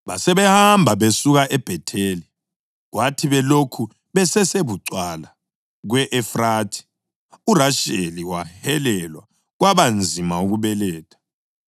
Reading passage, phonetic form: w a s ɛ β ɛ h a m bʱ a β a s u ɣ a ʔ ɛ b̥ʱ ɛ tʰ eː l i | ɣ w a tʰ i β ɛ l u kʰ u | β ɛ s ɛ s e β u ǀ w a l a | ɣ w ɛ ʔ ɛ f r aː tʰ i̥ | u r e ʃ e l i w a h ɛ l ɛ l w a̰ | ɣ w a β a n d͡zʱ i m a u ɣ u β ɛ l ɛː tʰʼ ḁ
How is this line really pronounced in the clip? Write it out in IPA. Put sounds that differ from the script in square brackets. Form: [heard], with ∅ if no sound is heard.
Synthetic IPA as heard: [β] a s ɛ β ɛ h a m bʱ a β [e] s u ɣ a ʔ ɛ b̥ʱ ɛ tʰ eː l i | ɣ w a tʰ i β ɛ l [o] kʰ u | β ɛ s ɛ s e β u ǀ w a l a | ɣ w ɛ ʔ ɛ f r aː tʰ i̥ | u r [a] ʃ e l i w a h ɛ l ɛ l w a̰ | ɣ w a β a n d͡zʱ i m a u ɣ u β ɛ l ɛː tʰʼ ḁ